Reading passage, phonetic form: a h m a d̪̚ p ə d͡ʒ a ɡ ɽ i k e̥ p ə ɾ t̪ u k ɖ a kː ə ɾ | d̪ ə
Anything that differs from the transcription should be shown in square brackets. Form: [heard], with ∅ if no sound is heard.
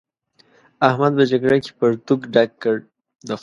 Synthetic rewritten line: a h m a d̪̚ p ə d͡ʒ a ɡ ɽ [a] k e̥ p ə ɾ t̪ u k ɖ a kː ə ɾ | d̪ ə